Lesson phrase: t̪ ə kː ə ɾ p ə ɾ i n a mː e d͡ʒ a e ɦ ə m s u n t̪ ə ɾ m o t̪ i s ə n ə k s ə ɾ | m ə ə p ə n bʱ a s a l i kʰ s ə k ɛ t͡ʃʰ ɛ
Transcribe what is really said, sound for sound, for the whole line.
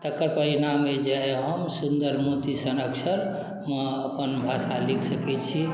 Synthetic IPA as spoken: t̪ ə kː ə ɾ p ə ɾ i n a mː e d͡ʒ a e ɦ ə m s u n d̪ ə ɾ m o t̪ i s ə n ə k s ə ɾ | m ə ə p ə n bʱ a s a l i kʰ s ə k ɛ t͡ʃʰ i